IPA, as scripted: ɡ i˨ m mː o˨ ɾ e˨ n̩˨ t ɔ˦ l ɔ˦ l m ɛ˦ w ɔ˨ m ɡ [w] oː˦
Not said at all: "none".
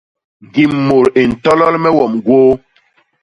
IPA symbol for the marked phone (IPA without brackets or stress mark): w